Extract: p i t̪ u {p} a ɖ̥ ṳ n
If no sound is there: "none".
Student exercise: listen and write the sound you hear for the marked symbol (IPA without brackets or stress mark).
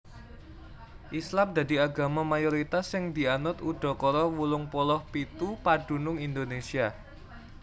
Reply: p